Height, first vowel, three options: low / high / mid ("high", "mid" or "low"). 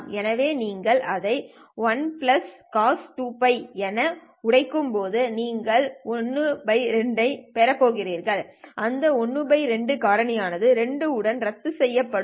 mid